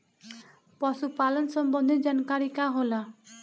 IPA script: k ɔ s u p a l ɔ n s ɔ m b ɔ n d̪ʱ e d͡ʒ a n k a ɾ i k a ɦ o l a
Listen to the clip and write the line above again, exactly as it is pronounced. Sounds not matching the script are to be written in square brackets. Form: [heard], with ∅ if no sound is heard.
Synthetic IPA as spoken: [p] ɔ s u p a l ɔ n s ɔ m b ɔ n d̪ʱ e d͡ʒ a n k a ɾ i k a ɦ o l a

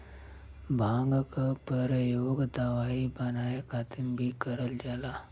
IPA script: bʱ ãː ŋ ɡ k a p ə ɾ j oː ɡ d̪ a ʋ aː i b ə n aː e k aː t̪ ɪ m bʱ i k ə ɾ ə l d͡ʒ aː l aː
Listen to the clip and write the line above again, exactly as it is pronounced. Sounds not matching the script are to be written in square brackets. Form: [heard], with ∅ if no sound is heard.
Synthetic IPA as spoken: bʱ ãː ŋ ɡ k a p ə ɾ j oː ɡ d̪ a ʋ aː i b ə n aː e k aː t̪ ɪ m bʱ i k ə ɾ ə l d͡ʒ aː l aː

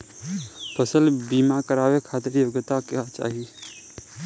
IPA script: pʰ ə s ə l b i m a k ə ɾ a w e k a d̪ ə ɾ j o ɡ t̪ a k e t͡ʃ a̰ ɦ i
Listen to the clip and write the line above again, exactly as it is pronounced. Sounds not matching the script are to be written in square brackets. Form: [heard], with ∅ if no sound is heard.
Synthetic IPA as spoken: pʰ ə s ə l b i m a k ə ɾ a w e [kʰ] a [t̪] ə ɾ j o ɡ t̪ a k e t͡ʃ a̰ ɦ i

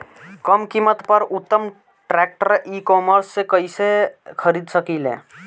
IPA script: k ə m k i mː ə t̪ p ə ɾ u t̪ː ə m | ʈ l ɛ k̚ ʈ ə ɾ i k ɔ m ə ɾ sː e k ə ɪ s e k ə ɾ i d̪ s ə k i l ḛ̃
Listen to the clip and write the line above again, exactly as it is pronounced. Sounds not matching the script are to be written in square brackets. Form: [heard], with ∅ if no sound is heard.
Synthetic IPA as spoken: k ə m k i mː ə t̪ p ə ɾ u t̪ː ə m | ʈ [ɾ] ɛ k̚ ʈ ə ɾ i k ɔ m ə ɾ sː e k ə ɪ s e [kʰ] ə ɾ i d̪ s ə k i l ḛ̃

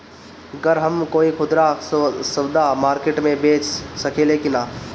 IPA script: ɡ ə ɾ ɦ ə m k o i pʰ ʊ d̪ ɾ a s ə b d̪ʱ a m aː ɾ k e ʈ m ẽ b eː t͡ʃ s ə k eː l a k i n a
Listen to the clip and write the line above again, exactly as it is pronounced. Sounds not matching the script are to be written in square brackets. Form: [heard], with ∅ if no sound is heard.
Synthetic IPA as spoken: ɡ ə ɾ ɦ ə m k o i [kʰ] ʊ d̪ ɾ a s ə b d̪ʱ a m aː ɾ k e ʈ m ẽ b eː t͡ʃ s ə k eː l [e] k i n a

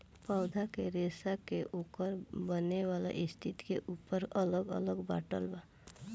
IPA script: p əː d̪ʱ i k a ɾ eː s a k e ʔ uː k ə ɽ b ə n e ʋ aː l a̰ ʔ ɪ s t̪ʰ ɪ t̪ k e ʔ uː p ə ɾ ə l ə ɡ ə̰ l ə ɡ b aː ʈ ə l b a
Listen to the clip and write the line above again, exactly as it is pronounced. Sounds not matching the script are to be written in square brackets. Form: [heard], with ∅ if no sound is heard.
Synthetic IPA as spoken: p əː d̪ʱ [a] k [e] ɾ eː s a k e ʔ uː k ə [ɾ] b ə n e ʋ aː l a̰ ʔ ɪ s t̪ʰ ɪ t̪ k e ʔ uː p ə ɾ ə l ə ɡ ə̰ l ə ɡ b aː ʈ ə l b a

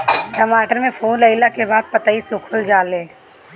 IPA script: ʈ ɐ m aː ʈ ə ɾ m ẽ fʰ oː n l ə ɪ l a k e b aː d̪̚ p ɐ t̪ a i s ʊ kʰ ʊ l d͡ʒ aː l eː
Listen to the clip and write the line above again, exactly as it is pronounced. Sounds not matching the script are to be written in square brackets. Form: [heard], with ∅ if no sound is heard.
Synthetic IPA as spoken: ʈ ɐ m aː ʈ ə ɾ m ẽ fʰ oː n l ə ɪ l a k e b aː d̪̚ p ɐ t̪ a i s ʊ kʰ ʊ l d͡ʒ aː l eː

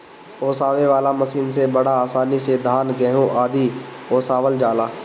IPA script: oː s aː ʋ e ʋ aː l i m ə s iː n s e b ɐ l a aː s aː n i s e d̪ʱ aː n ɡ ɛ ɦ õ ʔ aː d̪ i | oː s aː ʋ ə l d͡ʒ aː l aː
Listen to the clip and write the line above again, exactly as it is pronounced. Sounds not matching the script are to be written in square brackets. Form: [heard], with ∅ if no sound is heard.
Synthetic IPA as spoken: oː s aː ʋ e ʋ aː l [a] m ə s iː n s e b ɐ [ɽ] a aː s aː n i s e d̪ʱ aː n ɡ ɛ ɦ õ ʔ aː d̪ i | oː s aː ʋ ə l d͡ʒ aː l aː

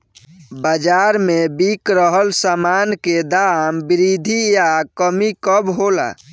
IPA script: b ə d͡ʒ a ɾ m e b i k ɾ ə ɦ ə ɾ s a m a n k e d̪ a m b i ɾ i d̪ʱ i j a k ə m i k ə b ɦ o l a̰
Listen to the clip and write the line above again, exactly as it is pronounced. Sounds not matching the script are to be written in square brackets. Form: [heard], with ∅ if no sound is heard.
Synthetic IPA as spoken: b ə d͡ʒ a ɾ m e b i k ɾ ə ɦ ə [l] s a m a n k e d̪ a m b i ɾ i d̪ʱ i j a k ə m i k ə b ɦ o l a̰

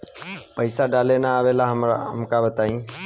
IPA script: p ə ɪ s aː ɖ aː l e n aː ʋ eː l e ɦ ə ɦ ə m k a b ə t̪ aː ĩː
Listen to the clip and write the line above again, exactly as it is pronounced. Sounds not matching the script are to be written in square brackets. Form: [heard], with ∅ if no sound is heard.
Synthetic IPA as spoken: p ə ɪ s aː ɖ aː l e n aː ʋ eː l [a] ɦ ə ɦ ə m k a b ə t̪ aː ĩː

